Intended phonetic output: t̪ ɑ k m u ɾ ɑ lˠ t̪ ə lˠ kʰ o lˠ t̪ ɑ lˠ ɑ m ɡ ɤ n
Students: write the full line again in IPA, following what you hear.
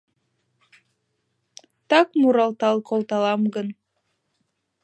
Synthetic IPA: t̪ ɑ k m u ɾ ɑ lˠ t̪ ɑ lˠ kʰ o lˠ t̪ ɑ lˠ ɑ m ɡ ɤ n